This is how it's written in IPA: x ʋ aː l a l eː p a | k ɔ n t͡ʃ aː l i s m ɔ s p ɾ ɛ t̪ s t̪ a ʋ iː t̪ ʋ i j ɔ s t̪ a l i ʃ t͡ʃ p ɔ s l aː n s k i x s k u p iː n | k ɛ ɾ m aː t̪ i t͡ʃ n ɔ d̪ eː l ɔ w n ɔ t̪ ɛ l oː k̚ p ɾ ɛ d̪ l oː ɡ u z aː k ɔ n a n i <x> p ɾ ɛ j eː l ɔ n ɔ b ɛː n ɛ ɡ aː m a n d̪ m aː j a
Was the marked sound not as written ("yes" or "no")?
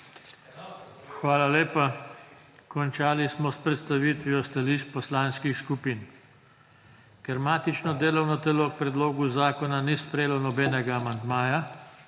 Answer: yes